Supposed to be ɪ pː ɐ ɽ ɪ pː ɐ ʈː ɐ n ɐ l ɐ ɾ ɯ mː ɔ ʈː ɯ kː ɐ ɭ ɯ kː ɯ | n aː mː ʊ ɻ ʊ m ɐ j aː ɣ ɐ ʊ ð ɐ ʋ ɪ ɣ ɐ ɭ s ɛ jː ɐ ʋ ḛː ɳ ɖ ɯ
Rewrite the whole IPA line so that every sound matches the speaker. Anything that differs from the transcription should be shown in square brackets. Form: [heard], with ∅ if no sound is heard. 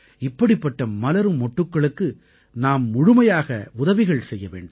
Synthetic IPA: ɪ pː ɐ ɽ ɪ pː ɐ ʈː ɐ [m] ɐ l ɐ ɾ ɯ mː ɔ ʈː ɯ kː ɐ ɭ ɯ kː ɯ | n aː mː ʊ ɻ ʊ m ɐ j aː ɣ ɐ ʊ ð ɐ ʋ ɪ ɣ ɐ ɭ s ɛ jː ɐ ʋ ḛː ɳ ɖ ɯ